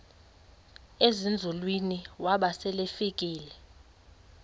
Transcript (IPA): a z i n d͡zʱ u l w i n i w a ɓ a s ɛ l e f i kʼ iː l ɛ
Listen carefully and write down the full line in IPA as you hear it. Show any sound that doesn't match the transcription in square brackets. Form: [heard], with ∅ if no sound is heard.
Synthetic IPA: [e] z i n d͡zʱ u l w i n i w a ɓ a s ɛ l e f i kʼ iː l ɛ